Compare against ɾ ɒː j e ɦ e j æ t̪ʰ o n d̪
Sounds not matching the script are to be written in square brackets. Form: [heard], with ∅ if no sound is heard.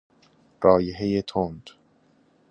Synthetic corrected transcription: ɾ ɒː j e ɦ e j [e] t̪ʰ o n d̪